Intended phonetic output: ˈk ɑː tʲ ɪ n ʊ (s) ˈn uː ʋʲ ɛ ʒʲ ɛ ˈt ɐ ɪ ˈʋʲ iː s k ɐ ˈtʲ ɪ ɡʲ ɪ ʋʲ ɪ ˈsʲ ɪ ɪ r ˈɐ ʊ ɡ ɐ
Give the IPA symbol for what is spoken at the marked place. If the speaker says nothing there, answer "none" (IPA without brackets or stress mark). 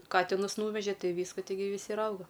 s